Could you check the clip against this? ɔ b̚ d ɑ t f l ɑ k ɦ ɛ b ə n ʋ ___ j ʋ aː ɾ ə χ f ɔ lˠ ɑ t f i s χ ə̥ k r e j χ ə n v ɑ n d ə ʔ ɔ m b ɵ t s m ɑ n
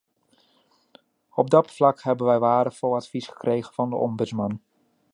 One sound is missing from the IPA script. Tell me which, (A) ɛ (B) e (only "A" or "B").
A